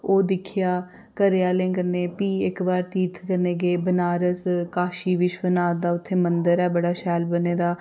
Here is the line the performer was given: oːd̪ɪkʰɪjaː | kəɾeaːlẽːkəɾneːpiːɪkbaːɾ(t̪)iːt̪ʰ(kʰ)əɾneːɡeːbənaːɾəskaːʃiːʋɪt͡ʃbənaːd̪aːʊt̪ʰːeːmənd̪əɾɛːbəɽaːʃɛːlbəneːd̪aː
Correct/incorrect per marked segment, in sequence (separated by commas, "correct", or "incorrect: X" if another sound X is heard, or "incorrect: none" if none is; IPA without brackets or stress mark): correct, incorrect: k